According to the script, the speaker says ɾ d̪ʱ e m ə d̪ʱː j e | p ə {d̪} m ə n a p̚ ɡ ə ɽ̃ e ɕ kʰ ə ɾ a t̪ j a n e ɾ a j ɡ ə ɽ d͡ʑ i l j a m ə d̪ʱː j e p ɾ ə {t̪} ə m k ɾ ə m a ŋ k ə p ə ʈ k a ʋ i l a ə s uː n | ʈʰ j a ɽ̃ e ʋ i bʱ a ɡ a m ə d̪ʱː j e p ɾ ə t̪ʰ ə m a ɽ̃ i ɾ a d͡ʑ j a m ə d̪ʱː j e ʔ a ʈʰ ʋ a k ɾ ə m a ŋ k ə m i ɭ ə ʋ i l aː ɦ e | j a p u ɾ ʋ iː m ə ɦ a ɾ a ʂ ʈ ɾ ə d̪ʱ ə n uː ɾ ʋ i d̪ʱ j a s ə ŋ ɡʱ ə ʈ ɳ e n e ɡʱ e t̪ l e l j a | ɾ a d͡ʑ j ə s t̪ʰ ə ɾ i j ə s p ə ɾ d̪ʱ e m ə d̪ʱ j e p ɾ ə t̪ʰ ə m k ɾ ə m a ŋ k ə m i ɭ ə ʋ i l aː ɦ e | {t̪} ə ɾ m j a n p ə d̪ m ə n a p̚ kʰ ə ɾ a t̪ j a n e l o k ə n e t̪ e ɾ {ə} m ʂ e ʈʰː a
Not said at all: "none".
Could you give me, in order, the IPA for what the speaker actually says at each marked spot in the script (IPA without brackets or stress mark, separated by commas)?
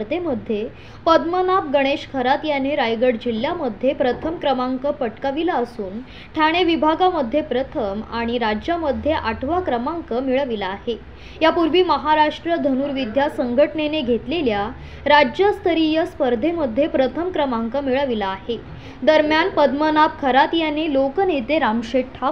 d̪, t̪ʰ, d̪, a